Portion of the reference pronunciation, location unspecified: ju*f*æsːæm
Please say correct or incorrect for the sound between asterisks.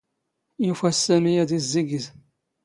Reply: correct